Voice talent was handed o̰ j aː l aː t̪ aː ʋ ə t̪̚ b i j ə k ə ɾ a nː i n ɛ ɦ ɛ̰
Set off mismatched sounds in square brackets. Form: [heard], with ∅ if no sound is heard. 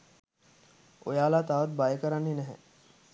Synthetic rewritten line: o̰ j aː l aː t̪ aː ʋ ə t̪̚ b [a] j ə k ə ɾ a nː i n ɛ ɦ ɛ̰